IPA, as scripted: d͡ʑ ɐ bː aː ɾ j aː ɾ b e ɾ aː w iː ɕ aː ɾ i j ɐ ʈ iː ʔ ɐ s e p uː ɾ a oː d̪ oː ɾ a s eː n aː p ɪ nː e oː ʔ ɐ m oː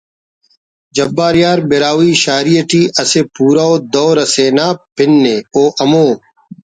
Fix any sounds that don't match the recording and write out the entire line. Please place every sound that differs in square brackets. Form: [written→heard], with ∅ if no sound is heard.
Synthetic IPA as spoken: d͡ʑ ɐ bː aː ɾ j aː ɾ b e ɾ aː w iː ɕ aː ɾ i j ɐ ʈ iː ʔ ɐ s e p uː ɾ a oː d̪ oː ɾ [a→ɐ] s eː n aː p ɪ nː e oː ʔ ɐ m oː